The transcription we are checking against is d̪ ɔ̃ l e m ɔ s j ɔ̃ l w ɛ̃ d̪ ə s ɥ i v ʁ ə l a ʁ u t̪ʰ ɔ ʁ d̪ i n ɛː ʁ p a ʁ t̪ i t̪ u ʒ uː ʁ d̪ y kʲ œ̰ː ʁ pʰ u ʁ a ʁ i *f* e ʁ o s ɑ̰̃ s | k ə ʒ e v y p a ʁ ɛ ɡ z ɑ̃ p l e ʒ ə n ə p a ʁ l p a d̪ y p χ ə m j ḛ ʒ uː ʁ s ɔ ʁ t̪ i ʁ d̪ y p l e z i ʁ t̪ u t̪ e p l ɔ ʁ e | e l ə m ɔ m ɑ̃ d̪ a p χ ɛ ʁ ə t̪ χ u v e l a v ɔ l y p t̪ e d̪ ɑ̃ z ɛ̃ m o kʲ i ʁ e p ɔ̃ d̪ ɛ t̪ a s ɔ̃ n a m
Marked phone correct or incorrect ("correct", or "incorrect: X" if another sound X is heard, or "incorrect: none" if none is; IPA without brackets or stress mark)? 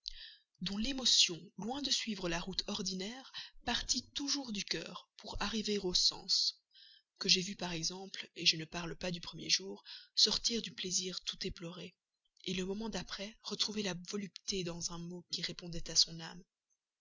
incorrect: v